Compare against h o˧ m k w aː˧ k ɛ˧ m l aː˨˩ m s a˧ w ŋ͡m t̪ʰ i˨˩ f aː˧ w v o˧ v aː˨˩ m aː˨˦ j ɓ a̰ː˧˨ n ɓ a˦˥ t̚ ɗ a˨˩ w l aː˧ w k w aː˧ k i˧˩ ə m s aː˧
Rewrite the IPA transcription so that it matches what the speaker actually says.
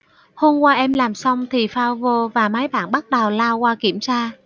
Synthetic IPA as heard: h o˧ m k w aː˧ ʔ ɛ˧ m l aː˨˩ m s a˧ w ŋ͡m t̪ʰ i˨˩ f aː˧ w v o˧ v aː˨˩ m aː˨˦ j ɓ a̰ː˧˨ n ɓ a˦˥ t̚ ɗ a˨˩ w l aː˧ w k w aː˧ k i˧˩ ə m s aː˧